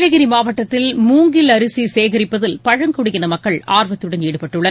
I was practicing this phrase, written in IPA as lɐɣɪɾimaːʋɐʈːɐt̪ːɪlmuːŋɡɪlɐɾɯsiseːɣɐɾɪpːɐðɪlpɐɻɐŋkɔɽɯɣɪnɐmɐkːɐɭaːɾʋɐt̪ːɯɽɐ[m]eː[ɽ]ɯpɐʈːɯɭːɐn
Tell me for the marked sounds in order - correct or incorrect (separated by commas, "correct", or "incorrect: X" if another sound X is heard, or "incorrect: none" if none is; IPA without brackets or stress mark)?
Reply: incorrect: n, correct